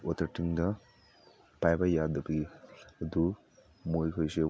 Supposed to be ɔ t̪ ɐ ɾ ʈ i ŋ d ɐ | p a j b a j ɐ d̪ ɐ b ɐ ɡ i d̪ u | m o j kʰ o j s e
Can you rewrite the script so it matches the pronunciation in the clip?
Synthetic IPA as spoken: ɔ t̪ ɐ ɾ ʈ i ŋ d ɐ | p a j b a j a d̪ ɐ b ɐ ɡ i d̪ u | m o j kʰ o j s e